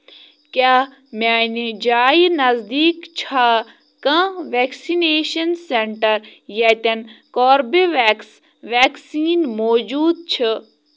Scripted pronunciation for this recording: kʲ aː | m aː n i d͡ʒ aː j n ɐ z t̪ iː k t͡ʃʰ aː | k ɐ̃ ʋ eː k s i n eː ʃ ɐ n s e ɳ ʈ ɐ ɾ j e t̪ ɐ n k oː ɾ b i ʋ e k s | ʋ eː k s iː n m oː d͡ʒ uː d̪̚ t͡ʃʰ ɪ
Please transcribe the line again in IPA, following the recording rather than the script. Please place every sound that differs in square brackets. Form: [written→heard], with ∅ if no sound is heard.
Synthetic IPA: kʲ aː | m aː n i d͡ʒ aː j n ɐ z [t̪→d̪] iː k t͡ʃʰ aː | k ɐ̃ ʋ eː k s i n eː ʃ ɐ n s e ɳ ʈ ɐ ɾ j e t̪ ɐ n k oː ɾ b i ʋ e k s | ʋ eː k s iː n m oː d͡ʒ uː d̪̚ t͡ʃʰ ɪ